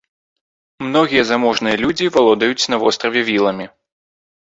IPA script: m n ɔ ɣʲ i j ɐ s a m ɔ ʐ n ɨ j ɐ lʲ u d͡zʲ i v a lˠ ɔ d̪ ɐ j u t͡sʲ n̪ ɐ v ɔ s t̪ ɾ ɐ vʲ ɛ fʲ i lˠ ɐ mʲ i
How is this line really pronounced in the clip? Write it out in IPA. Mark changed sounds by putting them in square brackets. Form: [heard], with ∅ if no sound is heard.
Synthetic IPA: m n ɔ ɣʲ i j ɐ [z] a m ɔ ʐ n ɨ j ɐ lʲ u d͡zʲ i v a lˠ ɔ d̪ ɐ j u t͡sʲ n̪ ɐ v ɔ s t̪ ɾ ɐ vʲ ɛ [vʲ] i lˠ ɐ mʲ i